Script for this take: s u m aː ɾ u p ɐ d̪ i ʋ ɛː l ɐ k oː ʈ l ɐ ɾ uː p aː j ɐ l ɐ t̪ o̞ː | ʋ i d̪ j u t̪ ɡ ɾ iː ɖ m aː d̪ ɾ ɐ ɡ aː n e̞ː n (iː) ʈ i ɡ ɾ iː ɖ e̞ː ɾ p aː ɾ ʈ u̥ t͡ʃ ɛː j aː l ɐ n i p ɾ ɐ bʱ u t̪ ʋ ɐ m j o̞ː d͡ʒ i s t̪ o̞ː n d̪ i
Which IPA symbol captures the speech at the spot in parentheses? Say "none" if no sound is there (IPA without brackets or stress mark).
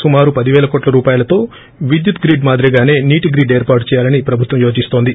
iː